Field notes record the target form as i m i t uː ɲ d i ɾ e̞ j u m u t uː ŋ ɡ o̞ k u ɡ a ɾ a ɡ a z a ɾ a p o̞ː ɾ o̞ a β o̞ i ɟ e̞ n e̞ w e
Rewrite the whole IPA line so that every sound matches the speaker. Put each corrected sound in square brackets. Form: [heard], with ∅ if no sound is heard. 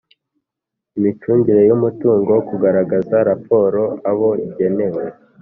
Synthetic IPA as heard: i m i [t͡ʃ] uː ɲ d i ɾ e̞ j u m u t uː ŋ ɡ o̞ k u ɡ a ɾ a ɡ a z a ɾ a p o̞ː ɾ o̞ a β o̞ i ɟ e̞ n e̞ w e